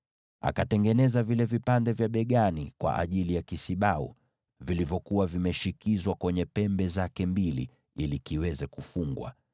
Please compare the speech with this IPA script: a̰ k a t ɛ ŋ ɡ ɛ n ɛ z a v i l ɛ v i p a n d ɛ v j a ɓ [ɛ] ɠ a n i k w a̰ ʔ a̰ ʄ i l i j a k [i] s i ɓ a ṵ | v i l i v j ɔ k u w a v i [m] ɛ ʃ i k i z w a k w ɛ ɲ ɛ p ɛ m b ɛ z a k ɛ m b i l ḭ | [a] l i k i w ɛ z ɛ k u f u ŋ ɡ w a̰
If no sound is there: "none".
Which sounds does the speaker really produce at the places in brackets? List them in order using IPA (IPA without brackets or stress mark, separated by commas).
ɛ, i, m, i